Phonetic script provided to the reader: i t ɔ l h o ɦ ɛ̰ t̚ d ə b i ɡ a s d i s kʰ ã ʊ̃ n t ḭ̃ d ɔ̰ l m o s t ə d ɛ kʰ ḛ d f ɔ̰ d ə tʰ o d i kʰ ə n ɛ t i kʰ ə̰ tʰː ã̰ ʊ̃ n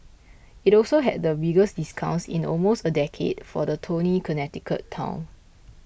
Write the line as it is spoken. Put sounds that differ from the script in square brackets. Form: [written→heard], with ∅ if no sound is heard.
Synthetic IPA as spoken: i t ɔ l [h→s] o ɦ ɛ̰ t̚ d ə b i ɡ [a→ə] s d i s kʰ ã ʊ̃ n [t→s] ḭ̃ [d→n] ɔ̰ l m o s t ə d ɛ kʰ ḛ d f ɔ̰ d ə tʰ o [d→n] i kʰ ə n ɛ t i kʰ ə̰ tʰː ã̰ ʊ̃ n

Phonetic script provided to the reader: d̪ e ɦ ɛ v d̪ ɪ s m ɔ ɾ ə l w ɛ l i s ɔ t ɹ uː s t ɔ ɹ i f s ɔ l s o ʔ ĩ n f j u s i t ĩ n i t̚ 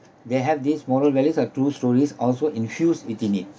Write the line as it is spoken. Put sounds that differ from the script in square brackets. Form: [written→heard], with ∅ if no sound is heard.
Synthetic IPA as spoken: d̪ e ɦ ɛ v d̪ [ɪ→i] s m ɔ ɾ ə l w ɛ l i s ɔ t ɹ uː s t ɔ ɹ i [f→∅] s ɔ l s o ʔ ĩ n f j u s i t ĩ n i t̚

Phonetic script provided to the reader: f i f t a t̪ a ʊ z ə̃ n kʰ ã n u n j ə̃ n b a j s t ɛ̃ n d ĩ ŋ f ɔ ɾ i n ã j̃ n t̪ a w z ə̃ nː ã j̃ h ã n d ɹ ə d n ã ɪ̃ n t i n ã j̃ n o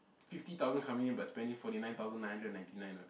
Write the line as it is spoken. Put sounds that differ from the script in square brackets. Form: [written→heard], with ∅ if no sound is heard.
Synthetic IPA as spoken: f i f t [a→i] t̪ a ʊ z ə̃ n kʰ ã [n→m] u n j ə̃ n b a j s [t→p] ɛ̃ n d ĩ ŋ f ɔ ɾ i n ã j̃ n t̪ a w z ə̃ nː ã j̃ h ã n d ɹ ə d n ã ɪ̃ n t i n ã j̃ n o

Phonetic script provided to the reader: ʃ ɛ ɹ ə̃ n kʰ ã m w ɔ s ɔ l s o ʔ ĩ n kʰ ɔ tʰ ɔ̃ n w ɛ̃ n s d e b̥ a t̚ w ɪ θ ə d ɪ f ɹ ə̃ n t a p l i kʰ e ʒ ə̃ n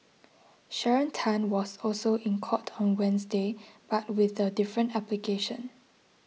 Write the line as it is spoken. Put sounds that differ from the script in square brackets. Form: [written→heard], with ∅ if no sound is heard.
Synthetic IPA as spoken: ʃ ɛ ɹ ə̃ n [kʰ→tʰ] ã [m→n] w ɔ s ɔ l s o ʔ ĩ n kʰ ɔ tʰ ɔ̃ n w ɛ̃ n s d e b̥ a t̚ w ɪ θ ə d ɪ f ɹ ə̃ n t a p l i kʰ e [ʒ→ʃ] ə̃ n

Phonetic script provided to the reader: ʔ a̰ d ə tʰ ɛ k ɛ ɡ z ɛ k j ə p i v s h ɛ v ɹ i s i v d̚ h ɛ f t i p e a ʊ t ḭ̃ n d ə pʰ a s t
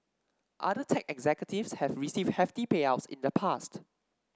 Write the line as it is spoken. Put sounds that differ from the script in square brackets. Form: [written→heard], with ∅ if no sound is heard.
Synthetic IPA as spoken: ʔ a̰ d ə tʰ ɛ k ɛ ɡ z ɛ k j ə [p→t] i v s h ɛ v ɹ i s i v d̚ h ɛ f t i p e a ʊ [t→s] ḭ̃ n d ə pʰ a s t

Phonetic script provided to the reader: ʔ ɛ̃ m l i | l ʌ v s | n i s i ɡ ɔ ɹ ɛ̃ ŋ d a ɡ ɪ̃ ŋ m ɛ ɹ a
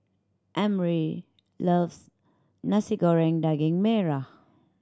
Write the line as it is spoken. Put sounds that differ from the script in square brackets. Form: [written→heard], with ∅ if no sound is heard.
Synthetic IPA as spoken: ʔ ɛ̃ m [l→ɹ] i | l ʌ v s | n [i→a] s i ɡ ɔ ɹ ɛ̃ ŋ d a ɡ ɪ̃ ŋ m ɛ ɹ a

